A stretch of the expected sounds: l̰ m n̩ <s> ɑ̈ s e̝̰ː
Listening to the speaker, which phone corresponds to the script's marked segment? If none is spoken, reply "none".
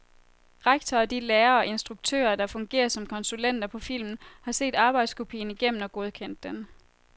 h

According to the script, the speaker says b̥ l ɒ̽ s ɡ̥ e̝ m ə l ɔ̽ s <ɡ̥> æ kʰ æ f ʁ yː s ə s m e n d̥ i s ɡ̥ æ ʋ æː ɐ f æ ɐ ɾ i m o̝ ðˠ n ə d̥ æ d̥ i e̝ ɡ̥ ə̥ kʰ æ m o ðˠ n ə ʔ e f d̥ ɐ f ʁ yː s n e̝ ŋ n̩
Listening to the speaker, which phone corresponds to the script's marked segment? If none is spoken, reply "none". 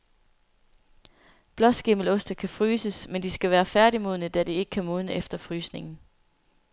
d̥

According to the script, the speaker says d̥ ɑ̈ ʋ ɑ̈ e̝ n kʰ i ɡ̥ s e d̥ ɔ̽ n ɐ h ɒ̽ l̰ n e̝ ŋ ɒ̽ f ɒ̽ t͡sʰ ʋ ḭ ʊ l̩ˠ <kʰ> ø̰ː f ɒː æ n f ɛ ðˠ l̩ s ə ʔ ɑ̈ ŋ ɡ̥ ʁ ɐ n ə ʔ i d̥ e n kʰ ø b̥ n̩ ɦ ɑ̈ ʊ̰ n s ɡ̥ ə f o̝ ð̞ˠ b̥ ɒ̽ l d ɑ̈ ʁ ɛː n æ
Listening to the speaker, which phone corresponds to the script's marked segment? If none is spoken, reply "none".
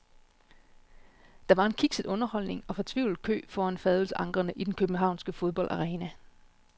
kʰ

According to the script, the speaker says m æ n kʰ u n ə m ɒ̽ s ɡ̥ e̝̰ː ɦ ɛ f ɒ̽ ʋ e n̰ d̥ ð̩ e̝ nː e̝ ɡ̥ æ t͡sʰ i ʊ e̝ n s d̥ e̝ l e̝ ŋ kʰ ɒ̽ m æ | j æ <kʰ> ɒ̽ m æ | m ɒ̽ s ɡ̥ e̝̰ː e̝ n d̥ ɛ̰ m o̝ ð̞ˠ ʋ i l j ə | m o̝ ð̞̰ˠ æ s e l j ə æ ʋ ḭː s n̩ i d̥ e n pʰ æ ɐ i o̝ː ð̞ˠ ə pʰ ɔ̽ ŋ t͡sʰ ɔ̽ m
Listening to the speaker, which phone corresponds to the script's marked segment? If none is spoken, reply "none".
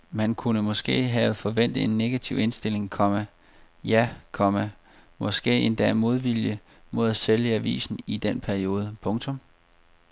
kʰ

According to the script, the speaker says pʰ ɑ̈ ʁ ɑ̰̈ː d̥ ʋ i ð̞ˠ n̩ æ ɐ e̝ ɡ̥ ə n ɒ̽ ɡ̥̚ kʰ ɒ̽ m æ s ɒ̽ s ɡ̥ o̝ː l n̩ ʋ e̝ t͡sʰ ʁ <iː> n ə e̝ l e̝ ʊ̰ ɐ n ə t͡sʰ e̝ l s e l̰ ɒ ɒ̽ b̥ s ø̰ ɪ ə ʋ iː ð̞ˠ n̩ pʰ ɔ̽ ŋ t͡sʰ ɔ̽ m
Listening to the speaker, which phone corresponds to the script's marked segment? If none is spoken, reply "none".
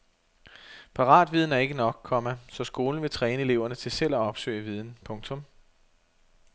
ɛː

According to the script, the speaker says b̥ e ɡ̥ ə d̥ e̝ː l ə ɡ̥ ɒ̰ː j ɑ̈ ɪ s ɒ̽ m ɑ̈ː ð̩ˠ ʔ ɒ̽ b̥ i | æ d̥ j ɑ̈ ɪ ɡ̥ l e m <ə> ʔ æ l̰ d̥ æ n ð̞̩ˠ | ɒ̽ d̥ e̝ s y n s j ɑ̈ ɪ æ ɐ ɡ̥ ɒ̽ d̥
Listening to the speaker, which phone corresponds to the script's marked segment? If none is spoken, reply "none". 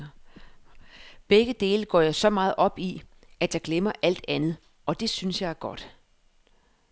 ɐ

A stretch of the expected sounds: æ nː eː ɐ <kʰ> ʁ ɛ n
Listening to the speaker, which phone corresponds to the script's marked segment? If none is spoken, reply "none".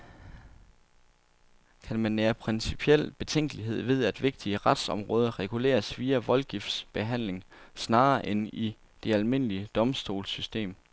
pʰ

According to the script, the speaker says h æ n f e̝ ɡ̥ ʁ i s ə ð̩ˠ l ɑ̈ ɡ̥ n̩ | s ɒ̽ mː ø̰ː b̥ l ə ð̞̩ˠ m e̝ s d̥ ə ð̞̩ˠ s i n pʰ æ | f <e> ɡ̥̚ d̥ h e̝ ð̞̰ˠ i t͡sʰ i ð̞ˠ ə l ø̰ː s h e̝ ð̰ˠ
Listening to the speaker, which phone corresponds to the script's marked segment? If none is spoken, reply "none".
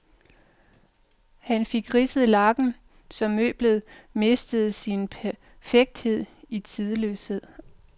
e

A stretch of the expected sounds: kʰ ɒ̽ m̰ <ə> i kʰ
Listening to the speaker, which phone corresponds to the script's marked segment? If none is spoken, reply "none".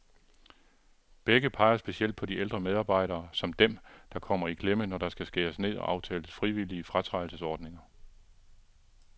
ɐ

